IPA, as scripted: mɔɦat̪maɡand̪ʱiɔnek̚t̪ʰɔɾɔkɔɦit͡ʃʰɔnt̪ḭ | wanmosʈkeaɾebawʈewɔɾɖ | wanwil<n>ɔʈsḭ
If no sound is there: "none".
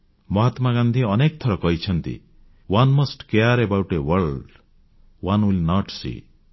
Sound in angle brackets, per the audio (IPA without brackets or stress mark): n